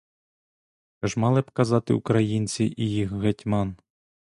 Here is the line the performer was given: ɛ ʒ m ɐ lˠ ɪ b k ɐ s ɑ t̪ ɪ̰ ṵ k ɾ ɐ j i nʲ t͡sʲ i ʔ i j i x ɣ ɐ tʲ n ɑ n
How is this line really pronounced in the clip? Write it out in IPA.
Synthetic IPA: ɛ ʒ m ɑ lˠ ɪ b k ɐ z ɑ t̪ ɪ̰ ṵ k ɾ ɐ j i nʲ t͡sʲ i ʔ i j i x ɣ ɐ tʲ m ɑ n

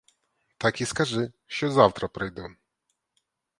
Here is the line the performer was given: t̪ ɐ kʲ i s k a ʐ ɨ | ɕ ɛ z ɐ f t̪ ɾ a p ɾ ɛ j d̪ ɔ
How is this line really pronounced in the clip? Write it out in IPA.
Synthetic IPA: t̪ a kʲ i s k a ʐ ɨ | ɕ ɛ z a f t̪ ɾ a p ɾ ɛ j d̪ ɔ

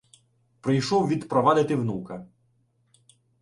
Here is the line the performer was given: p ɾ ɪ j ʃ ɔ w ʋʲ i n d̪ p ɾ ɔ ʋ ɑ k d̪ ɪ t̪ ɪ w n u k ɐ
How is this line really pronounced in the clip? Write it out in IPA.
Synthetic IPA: p ɾ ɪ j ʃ ɔ w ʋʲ i d̪ p ɾ ɔ ʋ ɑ d̪ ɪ t̪ ɪ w n u k ɐ

